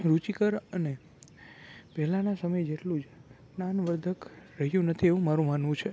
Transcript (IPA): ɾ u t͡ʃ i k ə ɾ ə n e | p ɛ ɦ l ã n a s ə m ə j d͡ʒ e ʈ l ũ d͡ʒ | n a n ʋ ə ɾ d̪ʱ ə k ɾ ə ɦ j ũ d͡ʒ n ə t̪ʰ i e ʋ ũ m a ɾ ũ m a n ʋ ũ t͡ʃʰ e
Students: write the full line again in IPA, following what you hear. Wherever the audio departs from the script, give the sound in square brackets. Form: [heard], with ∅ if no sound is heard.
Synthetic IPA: ɾ u t͡ʃ i k ə ɾ ə n e | p ɛ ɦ l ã n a s ə m ə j d͡ʒ e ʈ l ũ d͡ʒ | n a n ʋ ə ɾ d̪ʱ ə k ɾ ə ɦ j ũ [∅] n ə t̪ʰ i e ʋ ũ m a ɾ ũ m a n ʋ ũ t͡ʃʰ e